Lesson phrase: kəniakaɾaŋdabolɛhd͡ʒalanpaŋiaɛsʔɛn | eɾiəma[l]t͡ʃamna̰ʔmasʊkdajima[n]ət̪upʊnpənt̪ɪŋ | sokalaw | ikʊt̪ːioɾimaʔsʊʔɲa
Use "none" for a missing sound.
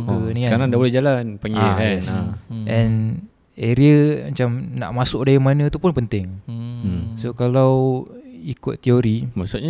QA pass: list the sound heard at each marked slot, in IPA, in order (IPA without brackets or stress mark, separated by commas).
none, n